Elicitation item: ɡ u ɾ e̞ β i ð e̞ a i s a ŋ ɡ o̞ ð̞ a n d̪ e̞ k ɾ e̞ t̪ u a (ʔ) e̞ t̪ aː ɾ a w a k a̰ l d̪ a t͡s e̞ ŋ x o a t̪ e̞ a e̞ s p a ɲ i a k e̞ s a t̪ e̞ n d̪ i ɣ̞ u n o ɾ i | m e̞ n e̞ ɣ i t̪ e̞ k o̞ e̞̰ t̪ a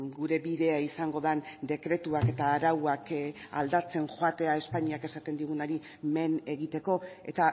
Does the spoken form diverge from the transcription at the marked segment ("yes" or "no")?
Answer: yes